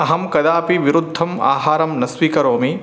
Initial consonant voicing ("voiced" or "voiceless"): voiced